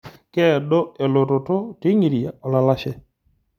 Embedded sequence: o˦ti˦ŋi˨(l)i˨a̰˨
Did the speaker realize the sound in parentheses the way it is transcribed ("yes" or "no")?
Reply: no